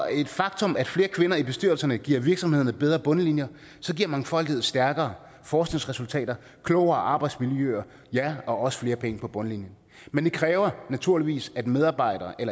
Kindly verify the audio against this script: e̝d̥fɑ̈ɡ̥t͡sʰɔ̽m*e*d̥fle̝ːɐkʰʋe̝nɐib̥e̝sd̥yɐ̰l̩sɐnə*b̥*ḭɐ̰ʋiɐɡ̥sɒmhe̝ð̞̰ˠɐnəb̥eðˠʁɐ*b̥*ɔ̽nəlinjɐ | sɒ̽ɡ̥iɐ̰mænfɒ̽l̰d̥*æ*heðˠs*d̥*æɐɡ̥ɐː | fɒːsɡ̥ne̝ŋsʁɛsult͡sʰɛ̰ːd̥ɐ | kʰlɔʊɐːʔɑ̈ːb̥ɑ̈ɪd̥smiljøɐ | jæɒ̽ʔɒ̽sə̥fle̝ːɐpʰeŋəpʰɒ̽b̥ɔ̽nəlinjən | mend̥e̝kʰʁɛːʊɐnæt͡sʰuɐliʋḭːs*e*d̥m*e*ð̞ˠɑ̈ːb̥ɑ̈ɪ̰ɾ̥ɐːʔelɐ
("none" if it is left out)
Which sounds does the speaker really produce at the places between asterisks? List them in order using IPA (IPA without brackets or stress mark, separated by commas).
æ, ɡ̥, b̥, i, d̥, æ, e